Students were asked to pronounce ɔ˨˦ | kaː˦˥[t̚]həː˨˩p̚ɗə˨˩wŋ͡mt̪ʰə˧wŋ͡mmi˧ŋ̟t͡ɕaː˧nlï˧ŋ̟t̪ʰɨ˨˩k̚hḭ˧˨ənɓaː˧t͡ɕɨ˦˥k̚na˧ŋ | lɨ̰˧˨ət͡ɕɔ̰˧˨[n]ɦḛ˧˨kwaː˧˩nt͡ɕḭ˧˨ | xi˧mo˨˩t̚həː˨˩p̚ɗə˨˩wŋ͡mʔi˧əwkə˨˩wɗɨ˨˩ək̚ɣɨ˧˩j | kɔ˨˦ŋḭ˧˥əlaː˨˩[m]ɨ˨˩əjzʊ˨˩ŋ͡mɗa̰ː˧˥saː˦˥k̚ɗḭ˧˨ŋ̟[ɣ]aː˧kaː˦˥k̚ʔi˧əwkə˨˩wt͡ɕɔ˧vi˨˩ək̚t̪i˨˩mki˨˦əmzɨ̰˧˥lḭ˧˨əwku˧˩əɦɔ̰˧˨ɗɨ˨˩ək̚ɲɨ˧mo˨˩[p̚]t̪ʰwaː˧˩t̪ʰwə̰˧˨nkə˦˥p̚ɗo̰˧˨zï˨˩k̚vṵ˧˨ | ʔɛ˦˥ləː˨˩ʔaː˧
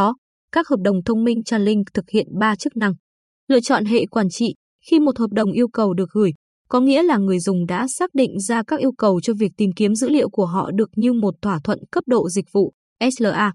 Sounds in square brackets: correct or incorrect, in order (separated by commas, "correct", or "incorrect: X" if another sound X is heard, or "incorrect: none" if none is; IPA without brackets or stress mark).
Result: incorrect: k̚, correct, incorrect: ŋ, incorrect: z, incorrect: t̚